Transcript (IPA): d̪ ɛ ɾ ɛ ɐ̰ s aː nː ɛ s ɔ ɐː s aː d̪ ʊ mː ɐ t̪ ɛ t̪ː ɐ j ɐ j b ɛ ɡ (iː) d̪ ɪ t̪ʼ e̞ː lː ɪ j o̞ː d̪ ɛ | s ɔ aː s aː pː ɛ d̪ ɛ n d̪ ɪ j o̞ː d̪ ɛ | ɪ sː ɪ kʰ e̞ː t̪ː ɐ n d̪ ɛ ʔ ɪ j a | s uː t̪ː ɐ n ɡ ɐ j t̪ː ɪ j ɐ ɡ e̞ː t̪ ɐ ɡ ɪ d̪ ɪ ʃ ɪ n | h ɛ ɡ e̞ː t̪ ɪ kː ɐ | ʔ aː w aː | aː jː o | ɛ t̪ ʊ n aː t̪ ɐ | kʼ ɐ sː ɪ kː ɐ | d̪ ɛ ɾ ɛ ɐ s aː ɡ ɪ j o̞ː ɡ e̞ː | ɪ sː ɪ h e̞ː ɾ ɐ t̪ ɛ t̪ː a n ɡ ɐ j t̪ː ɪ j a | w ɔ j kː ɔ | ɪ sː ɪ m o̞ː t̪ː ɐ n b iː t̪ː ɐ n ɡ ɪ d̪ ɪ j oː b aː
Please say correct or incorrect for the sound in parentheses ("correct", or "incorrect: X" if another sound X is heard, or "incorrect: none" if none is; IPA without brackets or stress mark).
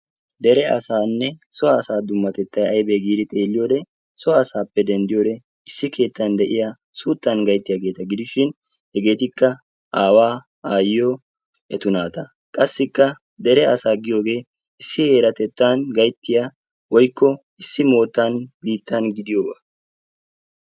correct